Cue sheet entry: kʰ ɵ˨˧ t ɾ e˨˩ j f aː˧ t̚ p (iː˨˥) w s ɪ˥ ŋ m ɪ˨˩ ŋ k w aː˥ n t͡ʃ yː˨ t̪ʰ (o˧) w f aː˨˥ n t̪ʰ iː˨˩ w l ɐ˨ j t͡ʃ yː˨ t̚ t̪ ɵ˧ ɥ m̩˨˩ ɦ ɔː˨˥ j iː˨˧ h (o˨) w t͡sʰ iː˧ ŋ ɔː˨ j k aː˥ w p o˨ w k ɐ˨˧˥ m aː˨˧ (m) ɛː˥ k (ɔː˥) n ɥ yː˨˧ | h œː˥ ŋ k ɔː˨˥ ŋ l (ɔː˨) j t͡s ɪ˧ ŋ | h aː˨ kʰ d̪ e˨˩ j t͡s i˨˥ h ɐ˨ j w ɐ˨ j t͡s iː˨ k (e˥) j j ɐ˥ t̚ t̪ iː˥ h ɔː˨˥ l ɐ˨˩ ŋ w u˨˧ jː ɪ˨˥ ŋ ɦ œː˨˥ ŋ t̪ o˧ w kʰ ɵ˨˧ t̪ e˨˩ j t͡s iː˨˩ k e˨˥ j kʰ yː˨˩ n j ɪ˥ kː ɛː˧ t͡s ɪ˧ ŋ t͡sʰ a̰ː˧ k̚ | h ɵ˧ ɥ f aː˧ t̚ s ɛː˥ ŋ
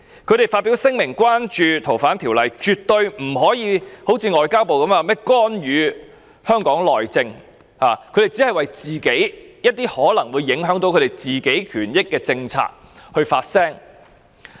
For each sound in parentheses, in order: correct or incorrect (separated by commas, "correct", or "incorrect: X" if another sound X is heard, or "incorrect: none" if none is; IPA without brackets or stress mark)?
incorrect: i˨˥, incorrect: o˨˩, incorrect: o˨˥, correct, correct, correct, incorrect: e˨˥